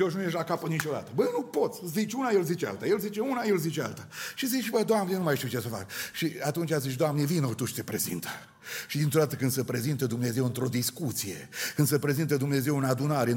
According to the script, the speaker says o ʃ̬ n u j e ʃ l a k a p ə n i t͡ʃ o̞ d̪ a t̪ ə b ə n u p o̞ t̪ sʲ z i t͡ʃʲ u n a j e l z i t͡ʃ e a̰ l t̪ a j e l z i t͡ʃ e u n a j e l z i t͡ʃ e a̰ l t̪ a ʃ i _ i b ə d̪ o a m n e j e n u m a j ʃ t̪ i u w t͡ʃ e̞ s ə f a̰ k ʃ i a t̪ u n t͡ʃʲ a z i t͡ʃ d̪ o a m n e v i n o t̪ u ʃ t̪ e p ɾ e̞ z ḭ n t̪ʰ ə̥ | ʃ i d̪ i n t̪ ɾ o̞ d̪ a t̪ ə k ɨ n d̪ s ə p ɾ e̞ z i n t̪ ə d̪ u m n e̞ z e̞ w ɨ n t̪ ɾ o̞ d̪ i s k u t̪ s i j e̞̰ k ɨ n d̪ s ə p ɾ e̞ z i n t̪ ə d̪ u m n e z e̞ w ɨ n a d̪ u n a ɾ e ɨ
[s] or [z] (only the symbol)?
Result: z